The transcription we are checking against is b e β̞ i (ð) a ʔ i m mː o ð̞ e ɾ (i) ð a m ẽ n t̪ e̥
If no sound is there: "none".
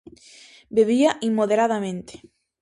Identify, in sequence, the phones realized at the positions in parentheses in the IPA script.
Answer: none, a

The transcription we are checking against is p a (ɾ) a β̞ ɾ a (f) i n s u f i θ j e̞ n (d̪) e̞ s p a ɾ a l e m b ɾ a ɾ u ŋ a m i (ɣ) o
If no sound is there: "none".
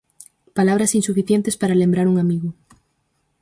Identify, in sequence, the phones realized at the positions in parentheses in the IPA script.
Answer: l, s, t̪, ɣ

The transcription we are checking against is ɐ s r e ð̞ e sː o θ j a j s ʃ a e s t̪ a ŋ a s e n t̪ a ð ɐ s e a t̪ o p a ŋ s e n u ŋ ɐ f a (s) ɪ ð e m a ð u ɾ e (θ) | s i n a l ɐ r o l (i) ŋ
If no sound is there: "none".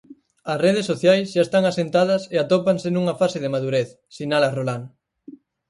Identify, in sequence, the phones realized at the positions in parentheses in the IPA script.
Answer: s, θ, a

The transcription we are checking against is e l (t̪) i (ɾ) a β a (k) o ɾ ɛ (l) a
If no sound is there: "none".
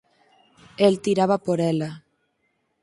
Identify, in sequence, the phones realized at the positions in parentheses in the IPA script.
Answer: t̪, ɾ, p, l

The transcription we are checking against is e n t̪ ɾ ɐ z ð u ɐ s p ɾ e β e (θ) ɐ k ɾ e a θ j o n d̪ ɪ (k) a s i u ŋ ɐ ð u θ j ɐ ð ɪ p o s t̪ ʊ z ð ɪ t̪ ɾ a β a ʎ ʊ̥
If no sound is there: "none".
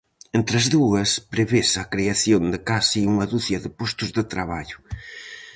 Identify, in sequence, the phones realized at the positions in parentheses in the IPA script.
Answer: s, k

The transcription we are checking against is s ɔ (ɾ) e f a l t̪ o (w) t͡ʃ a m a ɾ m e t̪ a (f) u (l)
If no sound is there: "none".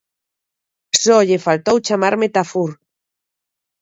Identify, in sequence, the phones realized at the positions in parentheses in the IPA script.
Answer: ʎ, w, f, ɾ

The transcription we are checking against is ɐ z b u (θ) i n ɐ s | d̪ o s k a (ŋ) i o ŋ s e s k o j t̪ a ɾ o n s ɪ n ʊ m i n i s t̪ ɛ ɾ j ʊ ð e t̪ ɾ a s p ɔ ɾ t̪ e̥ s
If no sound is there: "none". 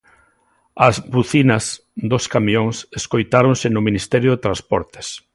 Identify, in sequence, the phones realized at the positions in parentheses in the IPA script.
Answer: θ, m

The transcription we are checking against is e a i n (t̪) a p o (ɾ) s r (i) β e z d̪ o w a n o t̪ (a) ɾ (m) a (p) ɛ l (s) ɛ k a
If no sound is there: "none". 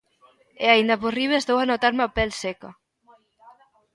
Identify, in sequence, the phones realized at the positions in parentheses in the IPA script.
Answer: d̪, none, i, a, m, p, s

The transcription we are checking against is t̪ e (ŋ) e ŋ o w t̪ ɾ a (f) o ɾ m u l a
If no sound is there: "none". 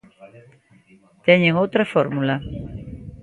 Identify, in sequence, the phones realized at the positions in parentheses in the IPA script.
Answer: ɲ, f

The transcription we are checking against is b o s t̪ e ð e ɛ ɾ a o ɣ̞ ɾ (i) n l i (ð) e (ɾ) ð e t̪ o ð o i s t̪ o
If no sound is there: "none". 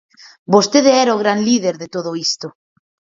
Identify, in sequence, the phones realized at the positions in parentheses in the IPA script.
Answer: a, ð, ɾ

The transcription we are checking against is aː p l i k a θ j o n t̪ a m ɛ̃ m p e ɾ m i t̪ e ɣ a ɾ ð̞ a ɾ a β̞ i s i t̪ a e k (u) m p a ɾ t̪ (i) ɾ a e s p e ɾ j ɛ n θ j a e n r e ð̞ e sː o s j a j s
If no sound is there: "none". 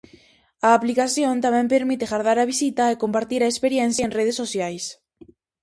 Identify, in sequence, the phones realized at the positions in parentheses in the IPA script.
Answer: o, i

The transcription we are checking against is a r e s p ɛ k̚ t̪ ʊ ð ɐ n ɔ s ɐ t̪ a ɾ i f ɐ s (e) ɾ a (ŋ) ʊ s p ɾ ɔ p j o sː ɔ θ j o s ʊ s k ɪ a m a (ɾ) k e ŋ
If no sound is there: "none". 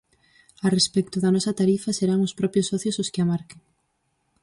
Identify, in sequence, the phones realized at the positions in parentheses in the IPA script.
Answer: e, ŋ, ɾ

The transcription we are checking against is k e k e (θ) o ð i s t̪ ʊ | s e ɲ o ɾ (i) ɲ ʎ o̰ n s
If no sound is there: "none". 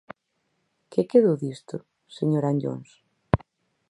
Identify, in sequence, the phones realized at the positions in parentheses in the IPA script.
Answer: ð, a

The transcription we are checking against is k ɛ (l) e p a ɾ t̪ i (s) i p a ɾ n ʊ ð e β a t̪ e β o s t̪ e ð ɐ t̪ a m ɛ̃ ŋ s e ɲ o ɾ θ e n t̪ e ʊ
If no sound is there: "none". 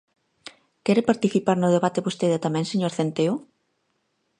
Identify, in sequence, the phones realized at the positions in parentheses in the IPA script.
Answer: ɾ, θ

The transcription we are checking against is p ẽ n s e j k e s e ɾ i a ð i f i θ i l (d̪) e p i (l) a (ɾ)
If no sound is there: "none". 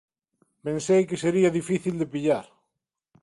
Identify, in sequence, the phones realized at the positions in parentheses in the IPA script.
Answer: d̪, ʎ, ɾ

